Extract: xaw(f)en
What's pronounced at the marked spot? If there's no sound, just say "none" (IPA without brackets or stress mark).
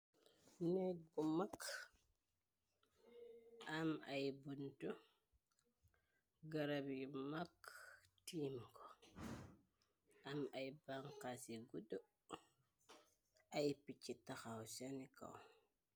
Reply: s